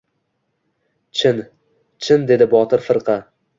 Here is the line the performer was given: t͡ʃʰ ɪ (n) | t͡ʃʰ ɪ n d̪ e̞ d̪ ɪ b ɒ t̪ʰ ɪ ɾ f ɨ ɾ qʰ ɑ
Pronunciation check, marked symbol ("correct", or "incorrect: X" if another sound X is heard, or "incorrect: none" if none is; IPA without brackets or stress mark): correct